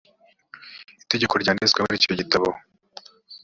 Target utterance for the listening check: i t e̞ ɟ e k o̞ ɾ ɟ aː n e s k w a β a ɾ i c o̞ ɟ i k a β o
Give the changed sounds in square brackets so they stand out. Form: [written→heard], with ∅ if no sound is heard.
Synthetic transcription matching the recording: i t e̞ ɟ e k o̞ ɾ ɟ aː n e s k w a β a ɾ i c o̞ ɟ i [k→t] a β o